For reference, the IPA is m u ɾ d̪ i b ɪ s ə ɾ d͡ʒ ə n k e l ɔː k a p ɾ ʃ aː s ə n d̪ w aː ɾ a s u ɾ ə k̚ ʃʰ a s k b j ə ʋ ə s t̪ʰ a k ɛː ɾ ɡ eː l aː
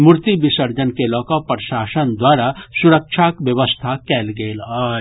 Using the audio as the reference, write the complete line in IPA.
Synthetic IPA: m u ɾ t̪ i b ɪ s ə ɾ d͡ʒ ə n k e l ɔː k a p ɾ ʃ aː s ə n d̪ w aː ɾ a s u ɾ ə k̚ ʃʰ a k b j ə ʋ ə s t̪ʰ a k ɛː l ɡ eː l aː